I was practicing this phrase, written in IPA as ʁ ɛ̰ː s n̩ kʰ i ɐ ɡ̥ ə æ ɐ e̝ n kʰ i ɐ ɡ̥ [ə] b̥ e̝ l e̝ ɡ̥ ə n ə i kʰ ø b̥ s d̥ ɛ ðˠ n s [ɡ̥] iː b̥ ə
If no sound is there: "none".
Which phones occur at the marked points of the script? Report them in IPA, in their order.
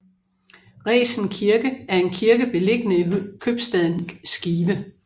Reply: ə, ɡ̥

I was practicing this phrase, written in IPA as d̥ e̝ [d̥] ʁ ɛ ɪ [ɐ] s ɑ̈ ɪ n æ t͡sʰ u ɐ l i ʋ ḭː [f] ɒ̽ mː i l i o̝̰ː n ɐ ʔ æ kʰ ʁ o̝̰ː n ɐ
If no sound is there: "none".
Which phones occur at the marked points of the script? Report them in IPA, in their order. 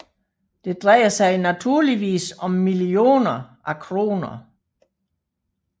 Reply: d̥, ɐ, s

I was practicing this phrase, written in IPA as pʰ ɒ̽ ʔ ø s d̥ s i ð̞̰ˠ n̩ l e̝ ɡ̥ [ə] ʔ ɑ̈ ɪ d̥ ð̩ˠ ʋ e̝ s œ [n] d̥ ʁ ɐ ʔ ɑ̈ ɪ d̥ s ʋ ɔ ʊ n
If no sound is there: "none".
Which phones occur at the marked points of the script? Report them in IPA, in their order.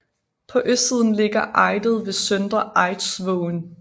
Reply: ɐ, n

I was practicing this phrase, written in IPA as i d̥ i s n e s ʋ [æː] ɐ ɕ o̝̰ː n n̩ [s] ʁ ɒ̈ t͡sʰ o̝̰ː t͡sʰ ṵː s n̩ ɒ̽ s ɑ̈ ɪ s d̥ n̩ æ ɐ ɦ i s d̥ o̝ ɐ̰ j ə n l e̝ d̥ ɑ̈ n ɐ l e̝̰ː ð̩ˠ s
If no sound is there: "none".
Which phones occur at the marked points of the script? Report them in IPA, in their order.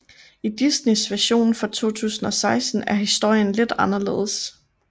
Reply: æ, f

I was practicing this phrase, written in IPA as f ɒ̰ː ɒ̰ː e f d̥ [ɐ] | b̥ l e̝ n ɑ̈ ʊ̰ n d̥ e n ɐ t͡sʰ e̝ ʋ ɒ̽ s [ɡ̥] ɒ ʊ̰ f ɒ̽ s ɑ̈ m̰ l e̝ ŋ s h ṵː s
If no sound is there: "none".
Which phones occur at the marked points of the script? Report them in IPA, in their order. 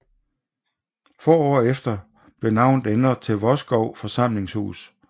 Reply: ɐ, ɡ̥

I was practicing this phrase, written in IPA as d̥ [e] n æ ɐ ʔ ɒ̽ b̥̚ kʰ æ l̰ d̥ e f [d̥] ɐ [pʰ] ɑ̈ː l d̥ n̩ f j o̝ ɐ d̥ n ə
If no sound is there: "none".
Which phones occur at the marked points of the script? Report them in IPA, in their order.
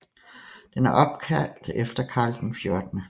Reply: e, d̥, kʰ

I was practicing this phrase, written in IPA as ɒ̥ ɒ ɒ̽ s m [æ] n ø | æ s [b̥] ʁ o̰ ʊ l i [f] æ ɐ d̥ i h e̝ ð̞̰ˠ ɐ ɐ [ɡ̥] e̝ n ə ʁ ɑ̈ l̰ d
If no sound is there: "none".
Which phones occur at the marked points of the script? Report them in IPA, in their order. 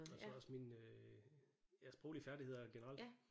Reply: i, b̥, f, ɡ̥

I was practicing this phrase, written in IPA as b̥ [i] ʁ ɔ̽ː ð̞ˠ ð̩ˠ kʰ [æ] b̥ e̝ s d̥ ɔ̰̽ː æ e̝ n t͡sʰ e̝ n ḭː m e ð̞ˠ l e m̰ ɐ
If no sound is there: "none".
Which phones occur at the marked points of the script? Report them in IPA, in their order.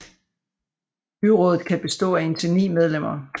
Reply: y, æ

